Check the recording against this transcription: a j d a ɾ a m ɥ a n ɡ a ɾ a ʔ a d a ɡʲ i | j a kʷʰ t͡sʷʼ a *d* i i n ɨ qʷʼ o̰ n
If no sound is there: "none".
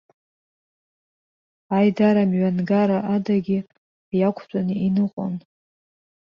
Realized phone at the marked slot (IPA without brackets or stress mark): n